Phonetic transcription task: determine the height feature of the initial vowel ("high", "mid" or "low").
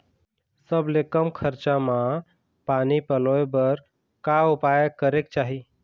mid